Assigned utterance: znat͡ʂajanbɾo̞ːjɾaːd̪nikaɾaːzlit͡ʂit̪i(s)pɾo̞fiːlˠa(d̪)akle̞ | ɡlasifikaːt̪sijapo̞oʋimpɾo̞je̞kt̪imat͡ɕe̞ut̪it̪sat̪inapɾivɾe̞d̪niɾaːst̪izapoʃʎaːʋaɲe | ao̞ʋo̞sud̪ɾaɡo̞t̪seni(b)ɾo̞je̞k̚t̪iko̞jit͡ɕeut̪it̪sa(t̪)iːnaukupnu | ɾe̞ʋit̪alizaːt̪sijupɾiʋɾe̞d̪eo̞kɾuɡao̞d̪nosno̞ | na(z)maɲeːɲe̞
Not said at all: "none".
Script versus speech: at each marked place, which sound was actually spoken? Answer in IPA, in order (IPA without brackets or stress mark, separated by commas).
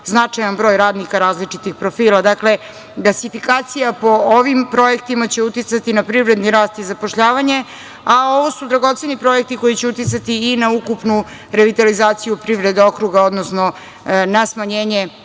x, d̪, p, t̪, s